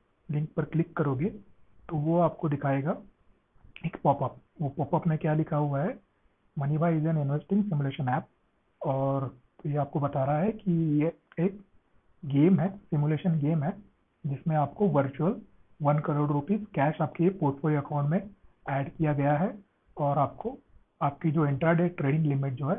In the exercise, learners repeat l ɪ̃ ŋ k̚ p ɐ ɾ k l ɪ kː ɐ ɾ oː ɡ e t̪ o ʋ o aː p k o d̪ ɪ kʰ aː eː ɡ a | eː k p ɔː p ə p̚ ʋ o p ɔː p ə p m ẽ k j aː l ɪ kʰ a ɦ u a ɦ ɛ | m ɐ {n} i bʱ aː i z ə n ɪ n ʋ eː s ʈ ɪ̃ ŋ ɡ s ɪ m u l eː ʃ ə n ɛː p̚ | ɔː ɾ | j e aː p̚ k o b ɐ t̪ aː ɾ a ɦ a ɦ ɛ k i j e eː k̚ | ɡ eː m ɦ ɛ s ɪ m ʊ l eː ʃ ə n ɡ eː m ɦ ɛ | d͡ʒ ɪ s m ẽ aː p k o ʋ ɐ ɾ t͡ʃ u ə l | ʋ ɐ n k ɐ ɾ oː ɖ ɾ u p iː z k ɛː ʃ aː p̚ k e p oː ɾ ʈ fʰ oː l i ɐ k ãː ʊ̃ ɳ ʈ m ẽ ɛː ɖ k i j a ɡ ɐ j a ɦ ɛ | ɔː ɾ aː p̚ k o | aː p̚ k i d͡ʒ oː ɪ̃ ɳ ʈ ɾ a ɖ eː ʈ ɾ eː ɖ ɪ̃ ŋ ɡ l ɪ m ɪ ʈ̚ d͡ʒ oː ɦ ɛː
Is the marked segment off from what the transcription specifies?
no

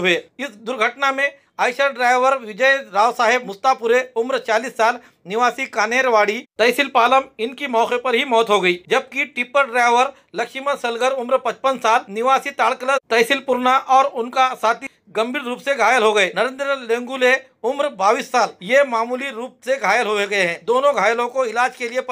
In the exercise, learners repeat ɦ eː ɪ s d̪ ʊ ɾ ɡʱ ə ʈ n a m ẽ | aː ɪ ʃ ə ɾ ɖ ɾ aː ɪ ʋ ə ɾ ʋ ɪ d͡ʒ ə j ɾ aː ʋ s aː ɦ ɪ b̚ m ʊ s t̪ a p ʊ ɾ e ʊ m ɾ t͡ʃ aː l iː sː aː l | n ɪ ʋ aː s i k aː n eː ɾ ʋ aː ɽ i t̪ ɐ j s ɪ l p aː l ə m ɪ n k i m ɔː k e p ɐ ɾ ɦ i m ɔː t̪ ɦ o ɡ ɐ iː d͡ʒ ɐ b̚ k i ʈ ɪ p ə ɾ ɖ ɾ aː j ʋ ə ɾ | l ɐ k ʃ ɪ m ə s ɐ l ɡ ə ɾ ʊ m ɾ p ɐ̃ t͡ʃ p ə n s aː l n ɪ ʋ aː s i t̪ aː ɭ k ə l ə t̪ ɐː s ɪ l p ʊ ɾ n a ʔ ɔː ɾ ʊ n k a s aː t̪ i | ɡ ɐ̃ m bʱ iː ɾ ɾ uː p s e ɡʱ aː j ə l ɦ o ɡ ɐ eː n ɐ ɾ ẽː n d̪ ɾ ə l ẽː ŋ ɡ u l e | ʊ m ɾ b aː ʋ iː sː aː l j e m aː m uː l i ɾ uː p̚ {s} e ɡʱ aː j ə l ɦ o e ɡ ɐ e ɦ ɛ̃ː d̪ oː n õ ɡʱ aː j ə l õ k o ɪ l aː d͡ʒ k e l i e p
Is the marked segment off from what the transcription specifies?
no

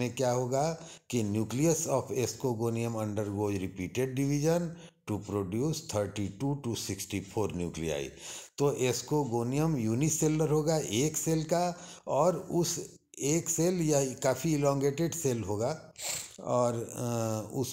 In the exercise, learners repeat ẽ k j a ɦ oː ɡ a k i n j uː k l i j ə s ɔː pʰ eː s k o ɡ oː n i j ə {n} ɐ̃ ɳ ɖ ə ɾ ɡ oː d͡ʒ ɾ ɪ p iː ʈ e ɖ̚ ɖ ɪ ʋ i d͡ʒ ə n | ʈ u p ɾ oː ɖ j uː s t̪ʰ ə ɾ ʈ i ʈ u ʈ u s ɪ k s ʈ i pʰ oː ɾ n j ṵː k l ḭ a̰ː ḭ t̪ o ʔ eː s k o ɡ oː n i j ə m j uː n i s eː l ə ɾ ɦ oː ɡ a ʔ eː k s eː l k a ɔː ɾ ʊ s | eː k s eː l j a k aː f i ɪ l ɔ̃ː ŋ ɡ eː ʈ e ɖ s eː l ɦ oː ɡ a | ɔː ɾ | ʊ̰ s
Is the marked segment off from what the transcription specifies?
yes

